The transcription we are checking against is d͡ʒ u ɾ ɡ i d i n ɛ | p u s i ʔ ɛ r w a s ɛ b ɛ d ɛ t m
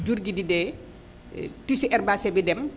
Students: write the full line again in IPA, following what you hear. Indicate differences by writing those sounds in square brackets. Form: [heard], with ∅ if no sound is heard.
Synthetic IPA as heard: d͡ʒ u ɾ ɡ i d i [d] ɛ | [t] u s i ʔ ɛ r [b] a s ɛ b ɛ d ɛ [∅] m